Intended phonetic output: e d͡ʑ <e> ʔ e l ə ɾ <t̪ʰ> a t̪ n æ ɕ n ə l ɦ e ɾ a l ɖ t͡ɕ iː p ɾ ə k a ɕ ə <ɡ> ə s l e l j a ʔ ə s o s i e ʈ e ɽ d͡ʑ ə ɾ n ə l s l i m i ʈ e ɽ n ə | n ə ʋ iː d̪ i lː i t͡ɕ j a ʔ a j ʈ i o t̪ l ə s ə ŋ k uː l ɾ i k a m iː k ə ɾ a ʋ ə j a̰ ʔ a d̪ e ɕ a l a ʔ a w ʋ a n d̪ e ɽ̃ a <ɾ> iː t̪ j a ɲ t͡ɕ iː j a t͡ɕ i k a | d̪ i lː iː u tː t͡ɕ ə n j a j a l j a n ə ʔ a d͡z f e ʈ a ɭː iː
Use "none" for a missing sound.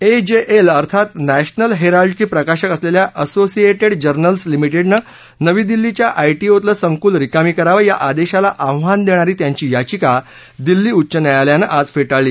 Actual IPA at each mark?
e, t̪ʰ, k, ɾ

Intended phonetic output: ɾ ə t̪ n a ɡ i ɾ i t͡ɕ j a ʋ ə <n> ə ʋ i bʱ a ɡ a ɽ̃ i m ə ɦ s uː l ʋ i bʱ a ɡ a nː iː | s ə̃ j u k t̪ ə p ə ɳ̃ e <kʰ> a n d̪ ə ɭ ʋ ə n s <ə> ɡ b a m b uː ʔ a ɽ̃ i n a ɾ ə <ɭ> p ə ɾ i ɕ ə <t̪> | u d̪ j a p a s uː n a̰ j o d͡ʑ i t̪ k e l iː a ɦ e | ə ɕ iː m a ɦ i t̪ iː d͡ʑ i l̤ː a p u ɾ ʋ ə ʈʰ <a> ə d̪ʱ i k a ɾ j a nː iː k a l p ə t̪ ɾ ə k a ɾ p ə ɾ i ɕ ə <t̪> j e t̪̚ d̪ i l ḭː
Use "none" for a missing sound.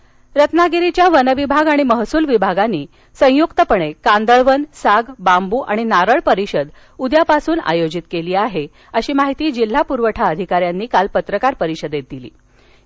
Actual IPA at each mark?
n, k, a, ɭ, d̪, a, d̪

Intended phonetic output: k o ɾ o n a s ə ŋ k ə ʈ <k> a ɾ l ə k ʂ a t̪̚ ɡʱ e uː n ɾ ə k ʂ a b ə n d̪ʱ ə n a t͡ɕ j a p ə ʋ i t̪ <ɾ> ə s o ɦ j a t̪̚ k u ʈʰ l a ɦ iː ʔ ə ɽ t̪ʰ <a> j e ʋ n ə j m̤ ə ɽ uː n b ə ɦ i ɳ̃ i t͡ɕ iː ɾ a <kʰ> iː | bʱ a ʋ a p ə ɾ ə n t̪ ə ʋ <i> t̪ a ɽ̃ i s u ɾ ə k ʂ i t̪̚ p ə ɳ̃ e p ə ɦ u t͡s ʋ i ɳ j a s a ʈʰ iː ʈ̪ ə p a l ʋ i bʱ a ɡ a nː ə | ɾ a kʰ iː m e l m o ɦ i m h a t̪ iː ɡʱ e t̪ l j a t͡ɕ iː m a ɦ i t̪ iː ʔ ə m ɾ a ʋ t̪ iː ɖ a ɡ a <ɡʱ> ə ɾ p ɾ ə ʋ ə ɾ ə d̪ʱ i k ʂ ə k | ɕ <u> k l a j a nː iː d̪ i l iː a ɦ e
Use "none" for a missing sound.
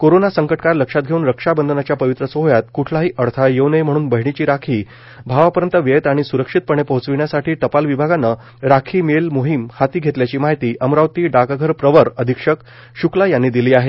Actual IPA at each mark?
k, ɾ, a, kʰ, e, ɡʱ, u

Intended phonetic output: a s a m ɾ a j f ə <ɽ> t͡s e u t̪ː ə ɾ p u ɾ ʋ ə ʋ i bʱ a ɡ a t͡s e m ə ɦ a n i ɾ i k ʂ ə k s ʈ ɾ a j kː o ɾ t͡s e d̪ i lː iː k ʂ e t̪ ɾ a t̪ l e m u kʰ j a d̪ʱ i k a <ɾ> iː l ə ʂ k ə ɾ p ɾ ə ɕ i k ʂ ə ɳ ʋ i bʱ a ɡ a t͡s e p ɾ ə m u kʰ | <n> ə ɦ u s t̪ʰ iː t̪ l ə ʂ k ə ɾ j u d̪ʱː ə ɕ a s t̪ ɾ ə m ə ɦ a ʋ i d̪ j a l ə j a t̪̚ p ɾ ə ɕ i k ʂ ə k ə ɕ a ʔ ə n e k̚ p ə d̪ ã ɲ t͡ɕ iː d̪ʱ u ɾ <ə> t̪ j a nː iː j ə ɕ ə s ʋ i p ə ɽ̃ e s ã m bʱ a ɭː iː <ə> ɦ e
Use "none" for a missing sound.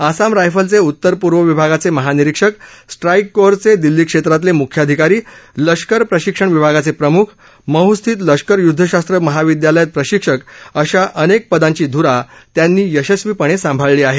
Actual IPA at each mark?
l, ɾ, m, a, a

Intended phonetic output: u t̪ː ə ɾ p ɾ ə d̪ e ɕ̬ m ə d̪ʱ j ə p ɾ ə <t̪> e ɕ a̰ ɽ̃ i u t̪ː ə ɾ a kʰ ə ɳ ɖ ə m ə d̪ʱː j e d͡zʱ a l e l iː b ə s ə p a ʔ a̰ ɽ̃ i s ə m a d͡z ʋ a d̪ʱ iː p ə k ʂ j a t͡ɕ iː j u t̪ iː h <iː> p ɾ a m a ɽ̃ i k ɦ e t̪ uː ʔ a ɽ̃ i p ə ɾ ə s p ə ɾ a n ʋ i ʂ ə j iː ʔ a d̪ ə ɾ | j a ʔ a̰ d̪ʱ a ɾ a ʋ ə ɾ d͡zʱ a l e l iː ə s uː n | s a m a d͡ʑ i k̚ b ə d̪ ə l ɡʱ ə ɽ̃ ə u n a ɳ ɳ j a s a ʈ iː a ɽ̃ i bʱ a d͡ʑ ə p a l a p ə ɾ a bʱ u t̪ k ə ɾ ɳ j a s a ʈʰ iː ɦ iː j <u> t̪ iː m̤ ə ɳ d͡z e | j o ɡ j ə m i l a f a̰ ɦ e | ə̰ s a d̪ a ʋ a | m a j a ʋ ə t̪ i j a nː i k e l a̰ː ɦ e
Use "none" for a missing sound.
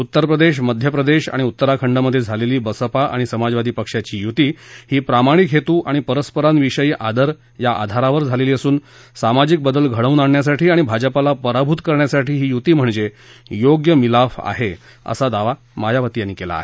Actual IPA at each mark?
d̪, iː, u

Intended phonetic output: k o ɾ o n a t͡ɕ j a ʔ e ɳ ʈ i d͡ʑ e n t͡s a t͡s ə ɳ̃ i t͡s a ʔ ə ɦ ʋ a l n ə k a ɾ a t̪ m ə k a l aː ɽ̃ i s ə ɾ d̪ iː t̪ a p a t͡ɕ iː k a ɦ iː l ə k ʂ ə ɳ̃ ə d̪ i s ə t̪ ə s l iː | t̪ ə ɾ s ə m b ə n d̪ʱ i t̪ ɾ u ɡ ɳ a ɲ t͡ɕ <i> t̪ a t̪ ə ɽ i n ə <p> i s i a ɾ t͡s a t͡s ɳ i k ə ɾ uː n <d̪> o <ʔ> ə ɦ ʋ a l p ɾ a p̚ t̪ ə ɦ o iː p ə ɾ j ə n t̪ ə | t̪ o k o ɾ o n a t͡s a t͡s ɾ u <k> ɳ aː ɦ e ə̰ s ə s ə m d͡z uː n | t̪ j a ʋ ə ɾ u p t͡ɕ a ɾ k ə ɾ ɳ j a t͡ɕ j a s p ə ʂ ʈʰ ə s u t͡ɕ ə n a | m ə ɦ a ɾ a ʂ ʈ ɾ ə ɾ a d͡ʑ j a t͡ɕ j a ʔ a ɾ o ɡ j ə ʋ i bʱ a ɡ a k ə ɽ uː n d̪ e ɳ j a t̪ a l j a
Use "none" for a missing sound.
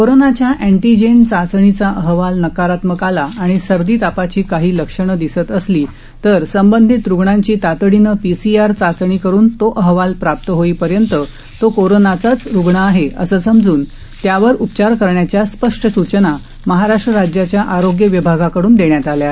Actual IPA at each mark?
iː, p, t̪, ʔ, ɡ

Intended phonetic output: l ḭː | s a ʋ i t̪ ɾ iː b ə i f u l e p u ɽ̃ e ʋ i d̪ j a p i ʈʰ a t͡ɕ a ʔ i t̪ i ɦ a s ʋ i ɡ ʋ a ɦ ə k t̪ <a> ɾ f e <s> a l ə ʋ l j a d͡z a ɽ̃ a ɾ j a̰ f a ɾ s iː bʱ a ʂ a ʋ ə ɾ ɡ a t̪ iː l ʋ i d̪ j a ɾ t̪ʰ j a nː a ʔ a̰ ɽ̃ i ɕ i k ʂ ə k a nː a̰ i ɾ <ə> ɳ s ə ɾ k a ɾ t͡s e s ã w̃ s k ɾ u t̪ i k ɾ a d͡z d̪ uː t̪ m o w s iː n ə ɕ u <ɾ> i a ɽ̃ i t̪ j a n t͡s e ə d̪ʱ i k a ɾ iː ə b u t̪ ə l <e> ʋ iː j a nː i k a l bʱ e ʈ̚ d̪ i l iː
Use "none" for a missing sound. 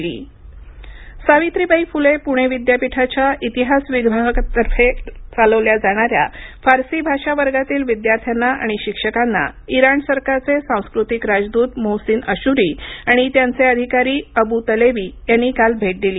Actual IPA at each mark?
ə, t͡s, a, ɾ, e

